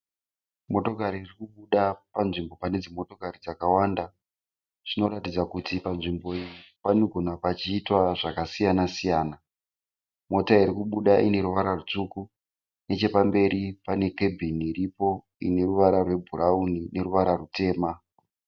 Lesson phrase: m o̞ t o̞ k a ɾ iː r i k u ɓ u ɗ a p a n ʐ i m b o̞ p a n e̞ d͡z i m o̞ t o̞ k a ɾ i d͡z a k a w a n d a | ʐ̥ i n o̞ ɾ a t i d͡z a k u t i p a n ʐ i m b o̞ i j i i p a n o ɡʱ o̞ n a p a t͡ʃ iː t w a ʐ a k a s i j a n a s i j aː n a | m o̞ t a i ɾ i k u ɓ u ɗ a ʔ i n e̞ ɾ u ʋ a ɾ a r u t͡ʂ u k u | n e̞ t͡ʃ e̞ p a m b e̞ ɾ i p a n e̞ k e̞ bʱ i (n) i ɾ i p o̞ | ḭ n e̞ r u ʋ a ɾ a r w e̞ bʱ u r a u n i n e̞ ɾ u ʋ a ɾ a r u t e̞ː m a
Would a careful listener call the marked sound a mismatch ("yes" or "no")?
no